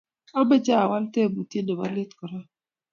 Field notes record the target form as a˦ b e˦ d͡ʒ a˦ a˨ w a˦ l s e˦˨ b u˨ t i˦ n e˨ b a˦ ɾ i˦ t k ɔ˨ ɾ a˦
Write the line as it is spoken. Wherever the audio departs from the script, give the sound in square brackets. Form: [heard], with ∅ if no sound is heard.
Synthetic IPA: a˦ b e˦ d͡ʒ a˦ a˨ w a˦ l [t] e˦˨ b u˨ t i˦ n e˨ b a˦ [l] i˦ t k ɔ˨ ɾ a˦